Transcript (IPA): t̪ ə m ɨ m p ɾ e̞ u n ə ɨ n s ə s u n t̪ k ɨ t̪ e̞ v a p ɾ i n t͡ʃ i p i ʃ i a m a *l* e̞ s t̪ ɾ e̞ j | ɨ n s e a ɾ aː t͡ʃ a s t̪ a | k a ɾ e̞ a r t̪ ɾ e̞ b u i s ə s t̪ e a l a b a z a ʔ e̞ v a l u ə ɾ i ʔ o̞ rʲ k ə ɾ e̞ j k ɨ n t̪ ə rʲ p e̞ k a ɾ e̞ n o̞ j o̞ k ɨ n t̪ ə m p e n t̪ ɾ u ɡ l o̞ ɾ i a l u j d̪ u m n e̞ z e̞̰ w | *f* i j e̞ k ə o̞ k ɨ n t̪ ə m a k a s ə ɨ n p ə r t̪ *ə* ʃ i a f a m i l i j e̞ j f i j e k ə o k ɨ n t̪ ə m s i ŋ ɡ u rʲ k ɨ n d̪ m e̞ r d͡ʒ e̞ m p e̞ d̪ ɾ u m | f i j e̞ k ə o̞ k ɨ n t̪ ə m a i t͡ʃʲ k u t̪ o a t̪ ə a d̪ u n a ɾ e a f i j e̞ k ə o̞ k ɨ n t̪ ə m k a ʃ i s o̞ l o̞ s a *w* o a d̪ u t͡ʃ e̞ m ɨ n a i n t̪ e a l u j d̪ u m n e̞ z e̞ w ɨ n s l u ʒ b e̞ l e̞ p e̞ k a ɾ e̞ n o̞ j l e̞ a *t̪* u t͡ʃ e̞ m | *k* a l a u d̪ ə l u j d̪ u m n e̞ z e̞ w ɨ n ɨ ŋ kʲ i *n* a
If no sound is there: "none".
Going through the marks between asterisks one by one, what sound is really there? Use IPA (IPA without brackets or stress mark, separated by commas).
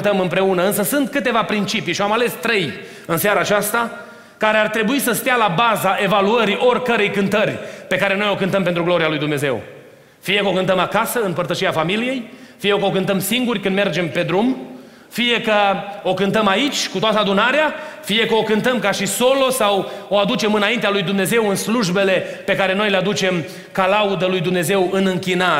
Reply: l, f, ə, w, d̪, k, n